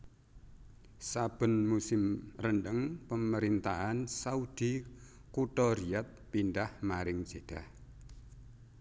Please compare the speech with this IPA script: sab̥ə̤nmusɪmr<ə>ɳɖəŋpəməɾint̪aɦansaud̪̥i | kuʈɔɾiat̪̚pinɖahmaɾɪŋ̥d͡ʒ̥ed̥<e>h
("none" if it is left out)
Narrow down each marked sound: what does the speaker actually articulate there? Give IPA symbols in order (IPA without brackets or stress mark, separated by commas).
ə, a